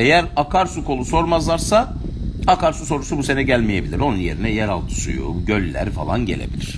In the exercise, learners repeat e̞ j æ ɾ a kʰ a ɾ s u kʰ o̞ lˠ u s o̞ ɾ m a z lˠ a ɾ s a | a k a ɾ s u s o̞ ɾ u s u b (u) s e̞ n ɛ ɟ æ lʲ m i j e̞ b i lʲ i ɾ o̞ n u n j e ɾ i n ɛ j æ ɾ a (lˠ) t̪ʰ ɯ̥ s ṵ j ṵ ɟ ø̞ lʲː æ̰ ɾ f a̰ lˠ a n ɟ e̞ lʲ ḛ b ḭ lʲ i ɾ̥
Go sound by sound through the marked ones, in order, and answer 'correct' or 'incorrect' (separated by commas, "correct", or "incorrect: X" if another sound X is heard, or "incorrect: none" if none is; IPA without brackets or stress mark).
correct, correct